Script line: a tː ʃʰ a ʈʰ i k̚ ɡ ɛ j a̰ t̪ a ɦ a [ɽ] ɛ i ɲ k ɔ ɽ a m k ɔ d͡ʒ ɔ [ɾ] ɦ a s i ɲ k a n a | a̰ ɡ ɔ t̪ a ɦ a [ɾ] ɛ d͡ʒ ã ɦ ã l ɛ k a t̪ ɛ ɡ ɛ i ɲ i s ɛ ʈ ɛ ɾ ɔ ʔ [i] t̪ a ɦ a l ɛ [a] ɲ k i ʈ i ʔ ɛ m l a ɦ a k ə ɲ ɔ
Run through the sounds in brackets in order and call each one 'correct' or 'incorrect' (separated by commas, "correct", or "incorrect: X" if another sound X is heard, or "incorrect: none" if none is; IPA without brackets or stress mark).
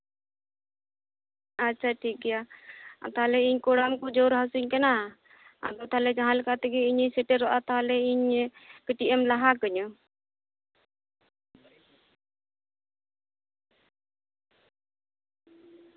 incorrect: l, correct, incorrect: l, incorrect: a, incorrect: i